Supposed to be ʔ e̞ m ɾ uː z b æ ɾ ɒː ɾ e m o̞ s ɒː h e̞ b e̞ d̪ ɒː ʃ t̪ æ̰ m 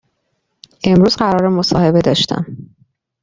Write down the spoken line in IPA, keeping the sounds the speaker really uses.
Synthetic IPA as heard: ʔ e̞ m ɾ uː z ɢ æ ɾ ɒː ɾ e m o̞ s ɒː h e̞ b e̞ d̪ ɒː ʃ t̪ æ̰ m